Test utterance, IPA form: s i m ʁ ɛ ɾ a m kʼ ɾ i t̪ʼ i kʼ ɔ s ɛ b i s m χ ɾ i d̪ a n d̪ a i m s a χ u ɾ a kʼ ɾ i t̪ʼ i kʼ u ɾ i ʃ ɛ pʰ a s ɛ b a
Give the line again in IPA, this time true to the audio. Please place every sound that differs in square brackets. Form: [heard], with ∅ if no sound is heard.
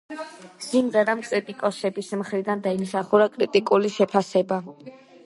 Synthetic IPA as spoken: s i m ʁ ɛ ɾ a m kʼ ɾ i t̪ʼ i kʼ ɔ s ɛ b i s m χ ɾ i d̪ a n d̪ a i m s a χ u ɾ a kʼ ɾ i t̪ʼ i kʼ u [l] i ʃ ɛ pʰ a s ɛ b a